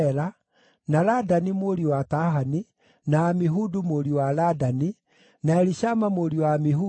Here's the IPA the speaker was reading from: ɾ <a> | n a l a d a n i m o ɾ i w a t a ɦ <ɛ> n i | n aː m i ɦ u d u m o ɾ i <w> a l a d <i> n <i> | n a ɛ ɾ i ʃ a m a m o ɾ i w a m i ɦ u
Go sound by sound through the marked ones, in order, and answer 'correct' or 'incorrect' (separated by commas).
correct, incorrect, correct, incorrect, correct